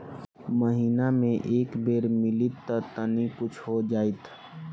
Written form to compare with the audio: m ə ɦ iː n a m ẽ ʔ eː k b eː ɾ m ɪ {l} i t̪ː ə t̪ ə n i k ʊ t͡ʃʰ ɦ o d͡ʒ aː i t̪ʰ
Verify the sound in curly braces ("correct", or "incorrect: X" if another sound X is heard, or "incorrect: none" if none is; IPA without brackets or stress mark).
correct